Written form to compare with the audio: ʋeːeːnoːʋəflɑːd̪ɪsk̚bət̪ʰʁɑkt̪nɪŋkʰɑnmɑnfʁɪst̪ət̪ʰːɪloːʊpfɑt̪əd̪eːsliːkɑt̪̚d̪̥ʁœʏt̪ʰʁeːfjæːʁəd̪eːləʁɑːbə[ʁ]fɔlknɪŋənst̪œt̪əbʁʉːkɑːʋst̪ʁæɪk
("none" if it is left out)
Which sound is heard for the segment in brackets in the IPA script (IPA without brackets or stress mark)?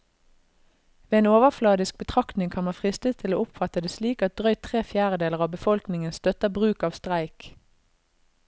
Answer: none